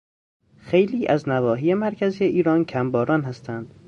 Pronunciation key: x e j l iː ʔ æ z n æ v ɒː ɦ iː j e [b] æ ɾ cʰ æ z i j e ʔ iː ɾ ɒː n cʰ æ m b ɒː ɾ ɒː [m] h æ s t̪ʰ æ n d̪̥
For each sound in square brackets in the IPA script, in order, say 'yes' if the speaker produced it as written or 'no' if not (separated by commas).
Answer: no, no